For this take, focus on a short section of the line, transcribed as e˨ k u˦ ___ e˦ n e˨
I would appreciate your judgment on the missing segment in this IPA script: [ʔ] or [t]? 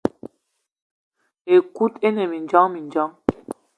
t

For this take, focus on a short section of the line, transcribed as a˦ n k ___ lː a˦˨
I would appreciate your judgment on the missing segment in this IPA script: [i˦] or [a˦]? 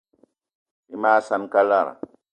a˦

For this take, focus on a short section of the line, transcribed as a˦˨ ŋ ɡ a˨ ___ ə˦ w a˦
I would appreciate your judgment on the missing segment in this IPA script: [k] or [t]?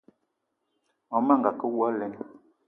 k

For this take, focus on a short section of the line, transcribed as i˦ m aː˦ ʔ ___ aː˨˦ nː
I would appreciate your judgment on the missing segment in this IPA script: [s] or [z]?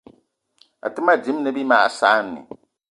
s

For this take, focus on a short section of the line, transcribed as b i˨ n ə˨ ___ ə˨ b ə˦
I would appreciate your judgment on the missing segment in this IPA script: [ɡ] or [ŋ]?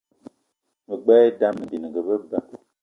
ɡ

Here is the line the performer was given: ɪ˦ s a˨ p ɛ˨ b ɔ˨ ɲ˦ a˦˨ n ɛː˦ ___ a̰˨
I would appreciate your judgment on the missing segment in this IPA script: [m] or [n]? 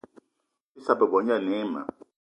m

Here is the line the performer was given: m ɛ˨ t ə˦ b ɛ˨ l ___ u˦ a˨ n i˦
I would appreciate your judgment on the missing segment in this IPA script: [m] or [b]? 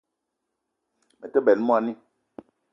m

